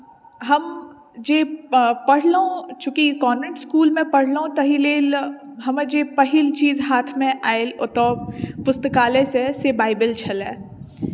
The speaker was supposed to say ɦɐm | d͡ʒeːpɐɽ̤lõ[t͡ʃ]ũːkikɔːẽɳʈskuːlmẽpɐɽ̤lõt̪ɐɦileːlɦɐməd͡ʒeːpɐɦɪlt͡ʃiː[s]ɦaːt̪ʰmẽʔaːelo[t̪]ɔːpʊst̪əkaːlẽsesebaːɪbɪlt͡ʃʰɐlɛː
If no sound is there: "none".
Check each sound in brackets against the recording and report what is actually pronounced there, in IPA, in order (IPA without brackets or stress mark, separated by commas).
t͡ʃ, z, t̪